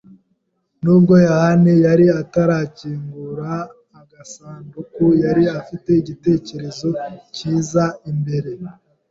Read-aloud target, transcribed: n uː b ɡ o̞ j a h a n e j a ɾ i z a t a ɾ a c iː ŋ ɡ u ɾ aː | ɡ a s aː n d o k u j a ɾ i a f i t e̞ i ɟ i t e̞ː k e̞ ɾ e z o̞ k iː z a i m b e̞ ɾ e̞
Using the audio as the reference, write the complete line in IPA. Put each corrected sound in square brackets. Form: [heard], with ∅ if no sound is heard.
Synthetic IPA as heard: n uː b ɡ o̞ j a h a n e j a ɾ i [∅] a t a ɾ a c iː ŋ ɡ u ɾ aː | ɡ a s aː n d [u] k u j a ɾ i a f i t e̞ i ɟ i t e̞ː [c] e̞ ɾ e z o̞ [c] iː z a i m b e̞ ɾ e̞